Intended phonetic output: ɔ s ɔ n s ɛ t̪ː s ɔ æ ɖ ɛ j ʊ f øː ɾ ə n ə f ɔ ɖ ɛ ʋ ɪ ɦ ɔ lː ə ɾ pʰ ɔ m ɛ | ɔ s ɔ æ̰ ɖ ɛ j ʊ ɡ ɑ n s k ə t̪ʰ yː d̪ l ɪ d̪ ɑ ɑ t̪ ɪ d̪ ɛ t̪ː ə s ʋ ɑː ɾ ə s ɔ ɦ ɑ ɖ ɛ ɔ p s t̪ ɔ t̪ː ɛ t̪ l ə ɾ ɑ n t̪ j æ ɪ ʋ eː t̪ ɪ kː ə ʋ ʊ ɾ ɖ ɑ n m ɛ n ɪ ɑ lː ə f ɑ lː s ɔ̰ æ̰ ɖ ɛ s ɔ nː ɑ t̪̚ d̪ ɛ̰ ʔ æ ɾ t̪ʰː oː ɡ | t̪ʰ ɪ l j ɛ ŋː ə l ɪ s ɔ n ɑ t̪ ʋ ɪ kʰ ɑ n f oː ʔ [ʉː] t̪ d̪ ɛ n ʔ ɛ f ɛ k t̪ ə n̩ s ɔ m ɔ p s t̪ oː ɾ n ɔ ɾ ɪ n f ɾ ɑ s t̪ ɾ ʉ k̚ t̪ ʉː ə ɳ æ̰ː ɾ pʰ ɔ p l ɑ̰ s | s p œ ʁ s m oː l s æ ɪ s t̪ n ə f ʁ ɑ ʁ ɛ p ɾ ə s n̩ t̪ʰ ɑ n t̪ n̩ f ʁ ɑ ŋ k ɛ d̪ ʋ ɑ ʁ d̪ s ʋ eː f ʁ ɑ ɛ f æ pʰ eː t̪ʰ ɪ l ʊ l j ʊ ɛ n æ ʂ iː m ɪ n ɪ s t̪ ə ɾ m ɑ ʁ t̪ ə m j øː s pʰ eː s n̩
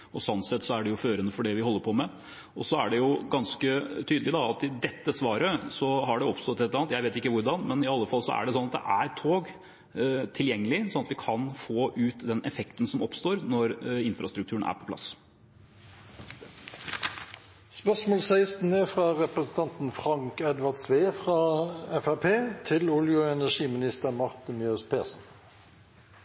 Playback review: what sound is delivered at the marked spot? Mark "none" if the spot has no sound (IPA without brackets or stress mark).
ʉː